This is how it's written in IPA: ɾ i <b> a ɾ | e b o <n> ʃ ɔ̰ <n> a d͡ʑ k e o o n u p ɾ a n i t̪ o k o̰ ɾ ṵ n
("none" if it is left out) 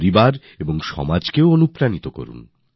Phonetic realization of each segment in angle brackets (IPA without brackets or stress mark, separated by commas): b, ŋ, m